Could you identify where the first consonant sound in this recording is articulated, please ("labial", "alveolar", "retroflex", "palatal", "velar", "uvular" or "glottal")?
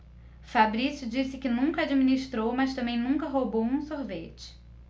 labial